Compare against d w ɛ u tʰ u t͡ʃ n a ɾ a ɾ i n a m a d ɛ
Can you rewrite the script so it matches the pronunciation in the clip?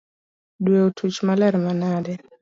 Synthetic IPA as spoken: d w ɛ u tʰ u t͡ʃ m a l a ɾ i m a n a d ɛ